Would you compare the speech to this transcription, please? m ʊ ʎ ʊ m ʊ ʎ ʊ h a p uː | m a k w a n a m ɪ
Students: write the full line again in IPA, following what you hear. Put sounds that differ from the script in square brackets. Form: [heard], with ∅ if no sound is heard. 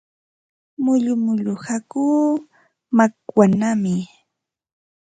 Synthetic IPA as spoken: m ʊ ʎ ʊ m ʊ ʎ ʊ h a [k] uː | m a k w a n a m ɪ